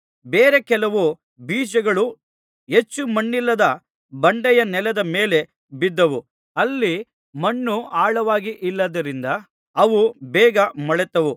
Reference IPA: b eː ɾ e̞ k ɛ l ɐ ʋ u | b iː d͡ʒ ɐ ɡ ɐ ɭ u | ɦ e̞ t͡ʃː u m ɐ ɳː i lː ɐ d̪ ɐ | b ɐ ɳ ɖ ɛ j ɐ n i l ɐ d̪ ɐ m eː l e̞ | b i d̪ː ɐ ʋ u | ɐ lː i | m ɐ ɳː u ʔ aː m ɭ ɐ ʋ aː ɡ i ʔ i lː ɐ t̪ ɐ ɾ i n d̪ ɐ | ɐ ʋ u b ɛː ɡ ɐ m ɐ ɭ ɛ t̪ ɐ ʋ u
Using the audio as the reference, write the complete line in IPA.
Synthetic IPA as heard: b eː ɾ e̞ k ɛ l ɐ ʋ u | b iː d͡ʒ ɐ ɡ ɐ ɭ u | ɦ e̞ t͡ʃː u m ɐ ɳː i lː ɐ d̪ ɐ | b ɐ ɳ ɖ ɛ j ɐ n ɛ l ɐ d̪ ɐ m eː l e̞ | b i d̪ː ɐ ʋ u | ɐ lː i | m ɐ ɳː u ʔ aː ɭ ɐ ʋ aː ɡ i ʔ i lː ɐ d̪ ɐ ɾ i n d̪ ɐ | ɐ ʋ u b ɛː ɡ ɐ m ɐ ɭ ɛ t̪ ɐ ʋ u